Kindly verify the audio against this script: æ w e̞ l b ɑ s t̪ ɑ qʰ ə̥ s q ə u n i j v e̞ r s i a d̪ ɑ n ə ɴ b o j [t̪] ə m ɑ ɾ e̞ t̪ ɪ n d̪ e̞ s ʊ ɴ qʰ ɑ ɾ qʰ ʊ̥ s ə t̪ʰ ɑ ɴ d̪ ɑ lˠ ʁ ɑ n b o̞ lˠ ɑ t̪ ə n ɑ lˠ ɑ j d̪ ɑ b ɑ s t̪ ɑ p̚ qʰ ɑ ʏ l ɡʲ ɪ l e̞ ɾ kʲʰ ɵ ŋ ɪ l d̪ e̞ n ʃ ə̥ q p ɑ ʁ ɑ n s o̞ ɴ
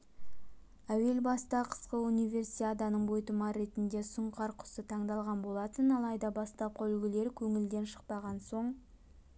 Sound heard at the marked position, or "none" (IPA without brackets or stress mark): t̪